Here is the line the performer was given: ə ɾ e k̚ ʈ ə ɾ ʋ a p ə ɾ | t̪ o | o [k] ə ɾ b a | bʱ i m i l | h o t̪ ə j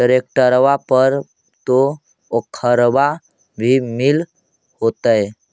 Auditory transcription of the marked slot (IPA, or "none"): kʰ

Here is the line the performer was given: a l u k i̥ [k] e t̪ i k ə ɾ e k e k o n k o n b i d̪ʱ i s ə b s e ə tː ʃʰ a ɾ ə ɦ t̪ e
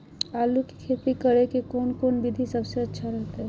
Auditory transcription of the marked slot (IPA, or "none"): kʰ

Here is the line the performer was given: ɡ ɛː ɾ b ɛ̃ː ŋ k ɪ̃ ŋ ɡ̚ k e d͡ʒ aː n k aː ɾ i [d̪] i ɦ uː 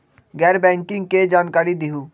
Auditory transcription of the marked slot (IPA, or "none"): d̪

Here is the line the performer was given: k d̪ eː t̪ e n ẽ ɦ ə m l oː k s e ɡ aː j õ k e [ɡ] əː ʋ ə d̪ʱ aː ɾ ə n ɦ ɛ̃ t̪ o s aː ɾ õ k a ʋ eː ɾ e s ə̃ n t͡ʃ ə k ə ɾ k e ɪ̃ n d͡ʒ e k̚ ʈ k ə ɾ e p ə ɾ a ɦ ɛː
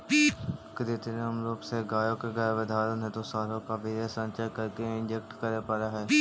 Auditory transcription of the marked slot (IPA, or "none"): ɡ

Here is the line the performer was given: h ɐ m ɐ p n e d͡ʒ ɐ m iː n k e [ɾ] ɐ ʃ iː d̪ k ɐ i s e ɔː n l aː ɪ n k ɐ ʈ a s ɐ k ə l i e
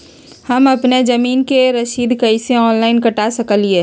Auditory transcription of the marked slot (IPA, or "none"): ɾ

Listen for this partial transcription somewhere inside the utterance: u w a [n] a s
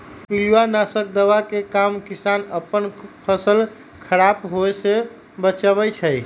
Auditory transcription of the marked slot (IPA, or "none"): n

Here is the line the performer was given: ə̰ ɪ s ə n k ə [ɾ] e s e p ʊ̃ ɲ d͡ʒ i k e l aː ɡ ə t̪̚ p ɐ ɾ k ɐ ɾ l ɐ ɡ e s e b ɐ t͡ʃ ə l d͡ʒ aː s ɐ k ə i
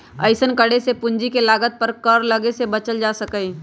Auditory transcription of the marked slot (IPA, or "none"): ɽ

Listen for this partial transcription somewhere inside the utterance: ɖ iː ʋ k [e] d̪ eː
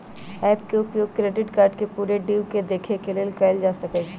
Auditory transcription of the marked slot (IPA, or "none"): e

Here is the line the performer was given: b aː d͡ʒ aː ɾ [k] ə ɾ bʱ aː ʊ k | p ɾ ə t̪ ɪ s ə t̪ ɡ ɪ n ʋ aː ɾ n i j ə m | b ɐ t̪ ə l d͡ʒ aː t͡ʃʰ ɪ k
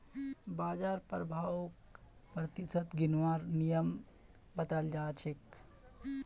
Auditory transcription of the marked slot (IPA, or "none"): p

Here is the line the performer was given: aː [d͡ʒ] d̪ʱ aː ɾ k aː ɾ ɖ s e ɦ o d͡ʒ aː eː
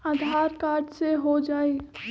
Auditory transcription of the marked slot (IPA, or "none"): none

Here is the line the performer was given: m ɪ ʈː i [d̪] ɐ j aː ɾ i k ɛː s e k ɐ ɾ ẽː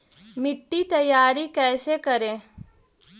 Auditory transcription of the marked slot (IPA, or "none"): t̪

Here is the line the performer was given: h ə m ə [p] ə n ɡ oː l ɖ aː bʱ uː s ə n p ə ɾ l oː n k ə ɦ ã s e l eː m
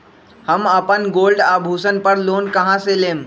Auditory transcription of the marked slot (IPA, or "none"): p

